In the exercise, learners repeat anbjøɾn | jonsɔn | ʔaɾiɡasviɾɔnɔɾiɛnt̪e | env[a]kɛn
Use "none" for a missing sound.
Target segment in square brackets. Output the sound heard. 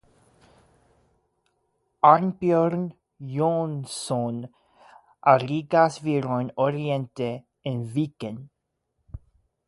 i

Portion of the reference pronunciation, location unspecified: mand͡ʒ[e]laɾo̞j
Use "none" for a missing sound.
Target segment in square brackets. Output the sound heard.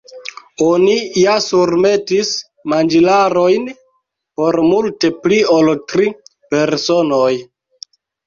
i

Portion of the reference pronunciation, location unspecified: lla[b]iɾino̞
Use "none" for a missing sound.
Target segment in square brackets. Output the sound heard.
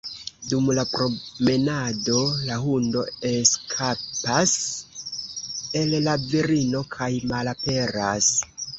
v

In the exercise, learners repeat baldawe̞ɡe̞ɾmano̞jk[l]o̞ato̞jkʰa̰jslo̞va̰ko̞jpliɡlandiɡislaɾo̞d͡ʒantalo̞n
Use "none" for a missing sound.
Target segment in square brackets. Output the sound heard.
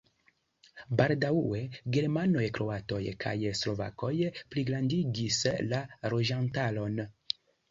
ɾ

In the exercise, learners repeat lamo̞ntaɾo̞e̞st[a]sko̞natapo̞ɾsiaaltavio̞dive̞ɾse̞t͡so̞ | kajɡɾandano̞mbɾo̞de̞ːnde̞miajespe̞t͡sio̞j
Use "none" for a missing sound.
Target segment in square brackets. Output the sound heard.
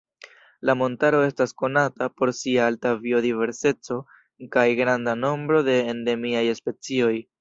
a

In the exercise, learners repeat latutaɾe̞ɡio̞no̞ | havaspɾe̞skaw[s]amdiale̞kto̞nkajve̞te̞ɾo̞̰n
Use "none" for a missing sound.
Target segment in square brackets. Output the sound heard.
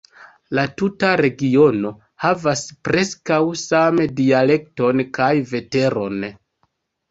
s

